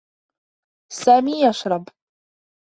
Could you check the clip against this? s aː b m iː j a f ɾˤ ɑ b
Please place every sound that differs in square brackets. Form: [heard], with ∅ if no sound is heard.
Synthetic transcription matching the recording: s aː [∅] m iː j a [ʃ] ɾˤ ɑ b